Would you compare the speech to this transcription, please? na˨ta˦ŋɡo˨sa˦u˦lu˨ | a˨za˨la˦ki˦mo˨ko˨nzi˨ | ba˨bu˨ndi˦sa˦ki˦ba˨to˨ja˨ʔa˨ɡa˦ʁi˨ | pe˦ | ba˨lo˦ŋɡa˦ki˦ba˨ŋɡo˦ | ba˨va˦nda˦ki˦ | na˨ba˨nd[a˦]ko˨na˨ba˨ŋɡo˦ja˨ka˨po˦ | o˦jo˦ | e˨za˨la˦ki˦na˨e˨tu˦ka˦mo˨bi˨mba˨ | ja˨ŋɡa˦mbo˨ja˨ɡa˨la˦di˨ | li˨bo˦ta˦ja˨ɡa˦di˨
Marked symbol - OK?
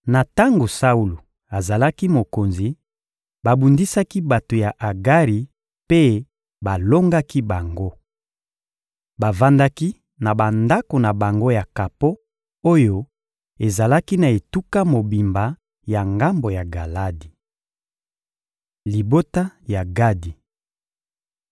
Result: yes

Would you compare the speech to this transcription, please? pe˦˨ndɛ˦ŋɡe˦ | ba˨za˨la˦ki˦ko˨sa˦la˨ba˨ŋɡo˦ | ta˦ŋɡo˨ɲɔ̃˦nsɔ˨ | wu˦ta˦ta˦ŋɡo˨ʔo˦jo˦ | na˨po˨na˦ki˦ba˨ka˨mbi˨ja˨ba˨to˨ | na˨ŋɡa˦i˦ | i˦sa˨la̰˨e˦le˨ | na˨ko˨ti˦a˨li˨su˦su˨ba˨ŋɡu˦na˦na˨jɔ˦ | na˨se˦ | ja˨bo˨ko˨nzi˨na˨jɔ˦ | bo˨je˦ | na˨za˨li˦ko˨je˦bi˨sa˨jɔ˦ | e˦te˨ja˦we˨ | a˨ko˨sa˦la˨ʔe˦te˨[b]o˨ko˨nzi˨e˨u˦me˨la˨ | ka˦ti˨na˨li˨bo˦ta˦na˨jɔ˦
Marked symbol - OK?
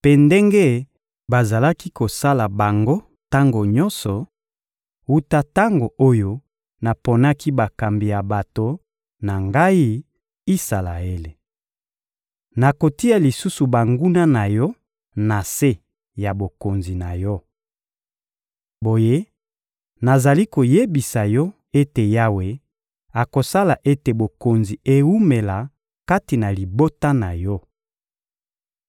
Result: yes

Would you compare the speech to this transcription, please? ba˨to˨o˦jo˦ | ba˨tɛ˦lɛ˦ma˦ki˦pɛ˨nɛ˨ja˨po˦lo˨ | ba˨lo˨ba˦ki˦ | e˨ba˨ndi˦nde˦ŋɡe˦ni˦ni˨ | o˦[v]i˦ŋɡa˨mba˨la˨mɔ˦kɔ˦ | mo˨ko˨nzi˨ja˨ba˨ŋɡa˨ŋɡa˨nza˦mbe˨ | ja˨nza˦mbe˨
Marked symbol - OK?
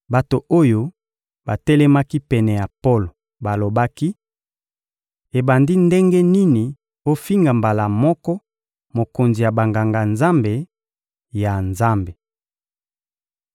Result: no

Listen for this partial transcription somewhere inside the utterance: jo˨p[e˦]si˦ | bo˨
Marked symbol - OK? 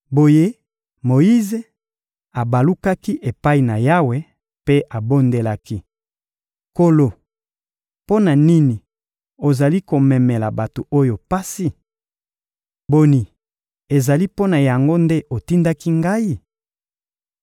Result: no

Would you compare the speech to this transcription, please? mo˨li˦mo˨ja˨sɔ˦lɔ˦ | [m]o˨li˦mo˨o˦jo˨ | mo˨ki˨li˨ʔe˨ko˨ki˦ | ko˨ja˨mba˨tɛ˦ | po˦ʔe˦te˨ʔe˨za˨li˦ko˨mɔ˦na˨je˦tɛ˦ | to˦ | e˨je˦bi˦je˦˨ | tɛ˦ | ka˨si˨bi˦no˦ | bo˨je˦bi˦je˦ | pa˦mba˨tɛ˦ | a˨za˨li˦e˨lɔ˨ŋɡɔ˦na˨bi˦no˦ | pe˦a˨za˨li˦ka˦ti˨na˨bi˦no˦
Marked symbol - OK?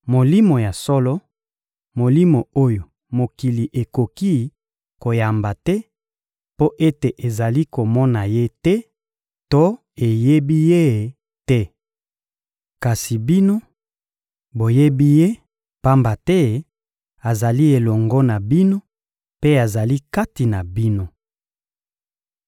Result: yes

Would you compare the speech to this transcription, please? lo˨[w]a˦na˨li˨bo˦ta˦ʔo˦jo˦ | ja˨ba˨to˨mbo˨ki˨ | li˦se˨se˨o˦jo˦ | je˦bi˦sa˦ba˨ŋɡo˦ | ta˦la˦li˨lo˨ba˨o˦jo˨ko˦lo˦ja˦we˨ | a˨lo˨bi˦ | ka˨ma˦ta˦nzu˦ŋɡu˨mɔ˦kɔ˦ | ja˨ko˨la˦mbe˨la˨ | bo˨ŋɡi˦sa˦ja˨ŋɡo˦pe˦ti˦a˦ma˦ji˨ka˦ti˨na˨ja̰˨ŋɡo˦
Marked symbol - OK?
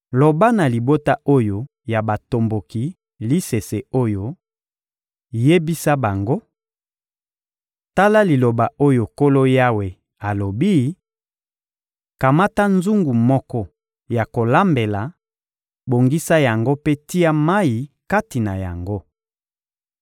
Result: no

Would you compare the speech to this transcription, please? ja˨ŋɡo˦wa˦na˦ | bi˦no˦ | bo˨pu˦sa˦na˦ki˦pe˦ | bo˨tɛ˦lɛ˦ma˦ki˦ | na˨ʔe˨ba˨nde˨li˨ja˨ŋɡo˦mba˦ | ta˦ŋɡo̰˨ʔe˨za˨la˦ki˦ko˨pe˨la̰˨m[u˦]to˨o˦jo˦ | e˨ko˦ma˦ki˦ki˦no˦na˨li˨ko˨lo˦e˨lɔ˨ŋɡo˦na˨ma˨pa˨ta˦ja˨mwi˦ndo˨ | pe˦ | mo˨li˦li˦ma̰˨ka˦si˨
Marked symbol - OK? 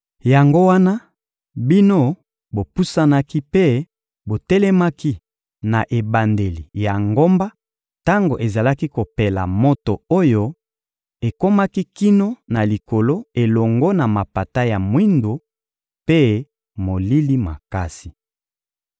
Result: no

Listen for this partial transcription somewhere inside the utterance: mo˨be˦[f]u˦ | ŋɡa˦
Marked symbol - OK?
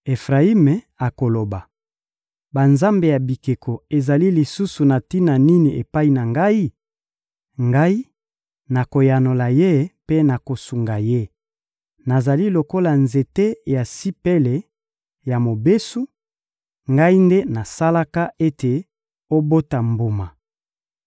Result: no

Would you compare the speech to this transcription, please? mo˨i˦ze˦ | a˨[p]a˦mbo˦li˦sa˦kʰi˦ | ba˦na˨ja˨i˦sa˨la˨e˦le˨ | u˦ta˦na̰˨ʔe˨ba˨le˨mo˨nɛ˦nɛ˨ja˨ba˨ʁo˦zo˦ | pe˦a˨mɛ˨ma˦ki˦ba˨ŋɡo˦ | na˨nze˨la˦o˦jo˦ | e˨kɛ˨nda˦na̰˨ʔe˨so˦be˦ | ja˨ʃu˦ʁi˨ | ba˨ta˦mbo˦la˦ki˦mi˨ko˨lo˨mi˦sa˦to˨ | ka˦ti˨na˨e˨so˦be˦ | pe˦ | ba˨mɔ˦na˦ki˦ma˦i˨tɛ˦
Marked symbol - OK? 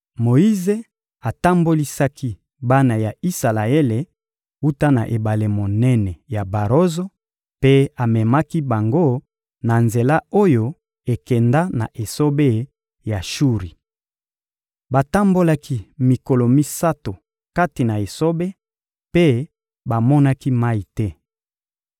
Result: no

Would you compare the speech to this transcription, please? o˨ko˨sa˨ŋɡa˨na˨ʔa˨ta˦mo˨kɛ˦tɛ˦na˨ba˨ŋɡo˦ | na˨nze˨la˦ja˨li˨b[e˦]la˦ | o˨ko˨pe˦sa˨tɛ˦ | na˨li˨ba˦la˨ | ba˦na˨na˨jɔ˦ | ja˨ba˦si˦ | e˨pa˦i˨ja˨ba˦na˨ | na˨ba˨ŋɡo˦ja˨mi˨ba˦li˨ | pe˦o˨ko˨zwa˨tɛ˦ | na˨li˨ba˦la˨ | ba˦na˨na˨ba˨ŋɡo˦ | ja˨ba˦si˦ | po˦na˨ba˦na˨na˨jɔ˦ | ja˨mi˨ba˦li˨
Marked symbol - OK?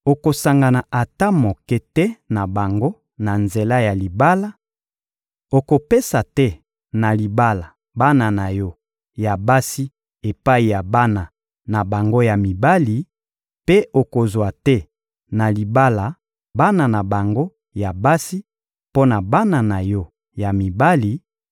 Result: no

